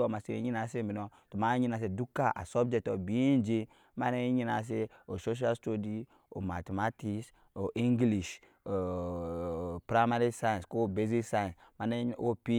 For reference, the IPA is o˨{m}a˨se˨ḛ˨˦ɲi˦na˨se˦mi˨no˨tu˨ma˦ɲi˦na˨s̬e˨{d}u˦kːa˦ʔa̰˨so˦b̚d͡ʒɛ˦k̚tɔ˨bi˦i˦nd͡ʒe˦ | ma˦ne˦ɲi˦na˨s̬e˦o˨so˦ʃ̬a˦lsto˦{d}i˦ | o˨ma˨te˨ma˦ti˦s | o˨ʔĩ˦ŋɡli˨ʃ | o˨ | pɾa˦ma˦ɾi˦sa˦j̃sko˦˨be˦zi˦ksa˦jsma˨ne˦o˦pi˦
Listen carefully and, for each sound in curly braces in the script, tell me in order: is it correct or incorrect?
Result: correct, correct, correct

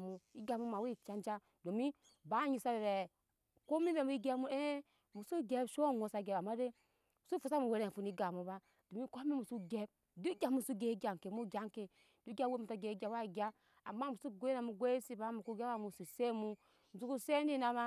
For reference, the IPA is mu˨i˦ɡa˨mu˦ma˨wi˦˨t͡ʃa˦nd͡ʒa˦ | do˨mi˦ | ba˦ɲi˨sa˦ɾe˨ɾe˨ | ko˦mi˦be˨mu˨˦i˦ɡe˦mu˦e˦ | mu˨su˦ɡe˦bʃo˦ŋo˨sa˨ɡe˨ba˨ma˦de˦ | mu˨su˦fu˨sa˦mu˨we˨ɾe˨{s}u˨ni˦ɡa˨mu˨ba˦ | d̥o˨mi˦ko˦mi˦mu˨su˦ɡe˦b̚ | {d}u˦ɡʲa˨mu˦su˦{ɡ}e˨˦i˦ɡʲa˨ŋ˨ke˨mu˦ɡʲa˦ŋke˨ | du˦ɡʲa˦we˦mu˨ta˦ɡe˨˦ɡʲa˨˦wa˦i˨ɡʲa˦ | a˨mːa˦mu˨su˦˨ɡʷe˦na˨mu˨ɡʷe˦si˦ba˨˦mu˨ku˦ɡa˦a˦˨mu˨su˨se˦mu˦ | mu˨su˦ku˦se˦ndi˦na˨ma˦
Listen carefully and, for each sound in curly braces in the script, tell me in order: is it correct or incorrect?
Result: incorrect: f, correct, correct

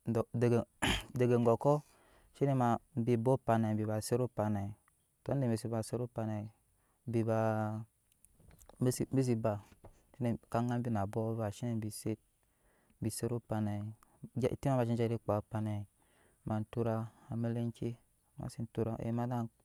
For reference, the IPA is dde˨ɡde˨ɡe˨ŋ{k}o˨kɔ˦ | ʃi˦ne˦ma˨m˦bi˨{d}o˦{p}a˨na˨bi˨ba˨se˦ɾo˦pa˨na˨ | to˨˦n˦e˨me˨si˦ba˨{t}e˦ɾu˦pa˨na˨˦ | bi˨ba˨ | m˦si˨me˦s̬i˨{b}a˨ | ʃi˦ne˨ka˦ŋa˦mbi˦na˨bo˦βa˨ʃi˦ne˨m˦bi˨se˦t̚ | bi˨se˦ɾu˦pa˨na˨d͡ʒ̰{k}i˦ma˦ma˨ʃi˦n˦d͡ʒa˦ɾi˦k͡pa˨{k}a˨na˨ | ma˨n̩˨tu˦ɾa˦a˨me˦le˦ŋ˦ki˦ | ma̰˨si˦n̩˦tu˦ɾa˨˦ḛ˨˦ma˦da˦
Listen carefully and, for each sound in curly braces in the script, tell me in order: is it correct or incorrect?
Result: incorrect: ɡ, incorrect: b, correct, incorrect: s, correct, incorrect: t, incorrect: p

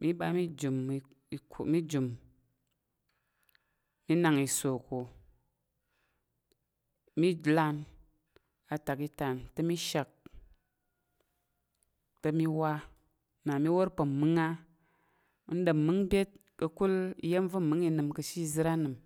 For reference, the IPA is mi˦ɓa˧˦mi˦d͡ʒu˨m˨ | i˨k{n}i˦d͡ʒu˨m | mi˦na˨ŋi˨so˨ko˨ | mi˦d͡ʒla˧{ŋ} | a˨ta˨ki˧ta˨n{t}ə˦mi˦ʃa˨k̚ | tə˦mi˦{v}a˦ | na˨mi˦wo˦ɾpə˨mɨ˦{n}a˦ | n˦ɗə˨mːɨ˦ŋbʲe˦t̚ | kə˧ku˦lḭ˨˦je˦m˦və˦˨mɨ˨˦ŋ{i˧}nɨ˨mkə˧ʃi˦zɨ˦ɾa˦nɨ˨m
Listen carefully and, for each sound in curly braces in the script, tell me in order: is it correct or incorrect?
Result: incorrect: m, incorrect: n, correct, incorrect: w, incorrect: ŋ, correct

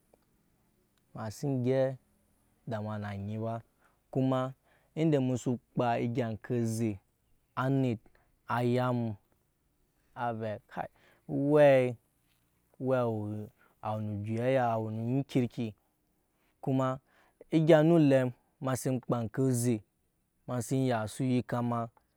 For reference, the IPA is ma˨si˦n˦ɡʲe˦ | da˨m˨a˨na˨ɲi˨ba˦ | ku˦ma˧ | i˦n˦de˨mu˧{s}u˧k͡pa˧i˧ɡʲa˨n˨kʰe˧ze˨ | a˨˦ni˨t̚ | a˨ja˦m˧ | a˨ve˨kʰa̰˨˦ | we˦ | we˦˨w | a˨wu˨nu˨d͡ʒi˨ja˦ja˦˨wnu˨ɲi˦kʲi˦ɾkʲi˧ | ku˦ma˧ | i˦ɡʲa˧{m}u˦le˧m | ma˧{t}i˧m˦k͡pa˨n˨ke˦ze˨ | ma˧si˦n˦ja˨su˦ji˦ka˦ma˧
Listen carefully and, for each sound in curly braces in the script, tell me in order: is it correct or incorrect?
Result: correct, incorrect: n, incorrect: s

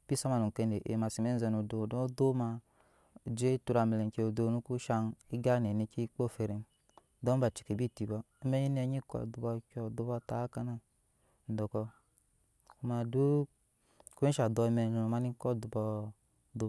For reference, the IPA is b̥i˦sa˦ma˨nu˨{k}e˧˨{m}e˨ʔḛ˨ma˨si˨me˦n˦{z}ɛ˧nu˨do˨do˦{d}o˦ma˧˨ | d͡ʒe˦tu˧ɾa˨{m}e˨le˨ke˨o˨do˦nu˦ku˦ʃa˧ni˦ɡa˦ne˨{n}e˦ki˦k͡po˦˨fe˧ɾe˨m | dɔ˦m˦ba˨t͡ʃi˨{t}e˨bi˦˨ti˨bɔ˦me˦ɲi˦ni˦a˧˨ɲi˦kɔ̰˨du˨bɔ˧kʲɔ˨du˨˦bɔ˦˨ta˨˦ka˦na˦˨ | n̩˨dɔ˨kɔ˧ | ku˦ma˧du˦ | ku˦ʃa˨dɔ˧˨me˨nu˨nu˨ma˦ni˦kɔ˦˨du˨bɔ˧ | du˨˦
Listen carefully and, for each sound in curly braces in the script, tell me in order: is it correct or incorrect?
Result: correct, incorrect: n, correct, correct, correct, correct, incorrect: k

